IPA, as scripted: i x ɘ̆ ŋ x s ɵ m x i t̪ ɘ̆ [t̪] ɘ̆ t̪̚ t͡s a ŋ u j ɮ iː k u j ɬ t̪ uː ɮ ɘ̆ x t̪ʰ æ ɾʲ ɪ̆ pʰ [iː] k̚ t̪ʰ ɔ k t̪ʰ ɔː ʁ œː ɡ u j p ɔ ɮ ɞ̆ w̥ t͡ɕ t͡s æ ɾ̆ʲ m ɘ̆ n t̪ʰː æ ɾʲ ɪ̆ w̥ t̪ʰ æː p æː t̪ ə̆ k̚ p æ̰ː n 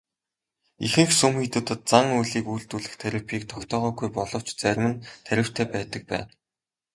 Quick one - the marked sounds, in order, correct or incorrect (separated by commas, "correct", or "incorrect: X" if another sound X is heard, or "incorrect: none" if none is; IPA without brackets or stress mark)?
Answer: correct, correct